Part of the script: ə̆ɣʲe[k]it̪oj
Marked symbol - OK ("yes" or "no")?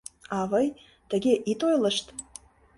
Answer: no